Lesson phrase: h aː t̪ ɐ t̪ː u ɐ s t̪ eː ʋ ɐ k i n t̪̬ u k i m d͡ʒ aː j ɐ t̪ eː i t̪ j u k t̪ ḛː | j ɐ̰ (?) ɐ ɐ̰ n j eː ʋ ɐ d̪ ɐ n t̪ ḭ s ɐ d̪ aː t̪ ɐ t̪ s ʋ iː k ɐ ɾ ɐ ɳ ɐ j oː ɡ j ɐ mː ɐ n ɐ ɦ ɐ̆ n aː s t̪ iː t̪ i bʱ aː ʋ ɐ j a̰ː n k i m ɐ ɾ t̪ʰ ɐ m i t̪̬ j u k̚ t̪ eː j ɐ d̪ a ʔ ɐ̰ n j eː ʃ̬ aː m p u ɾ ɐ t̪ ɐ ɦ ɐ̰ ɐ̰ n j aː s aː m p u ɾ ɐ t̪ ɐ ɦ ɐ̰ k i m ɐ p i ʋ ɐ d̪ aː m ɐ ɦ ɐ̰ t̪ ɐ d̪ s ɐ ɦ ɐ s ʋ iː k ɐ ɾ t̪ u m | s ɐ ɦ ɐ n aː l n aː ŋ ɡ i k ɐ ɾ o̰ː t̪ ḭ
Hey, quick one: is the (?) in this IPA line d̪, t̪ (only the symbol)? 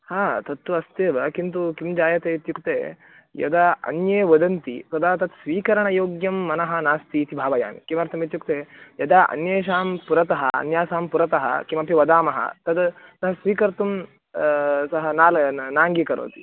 d̪